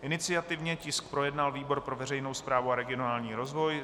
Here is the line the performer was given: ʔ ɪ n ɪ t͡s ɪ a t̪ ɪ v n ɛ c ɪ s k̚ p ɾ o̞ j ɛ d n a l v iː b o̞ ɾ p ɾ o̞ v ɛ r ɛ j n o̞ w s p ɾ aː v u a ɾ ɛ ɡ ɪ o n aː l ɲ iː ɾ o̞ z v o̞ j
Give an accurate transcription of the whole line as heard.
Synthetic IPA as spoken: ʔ ɪ n ɪ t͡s ɪ a t̪ ɪ v ɲ ɛ c ɪ s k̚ p ɾ o̞ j ɛ d n a l v iː b o̞ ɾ p ɾ o̞ v ɛ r ɛ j n o̞ w s p ɾ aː v u a ɾ ɛ ɡ ɪ o n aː l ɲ iː ɾ o̞ z v o̞ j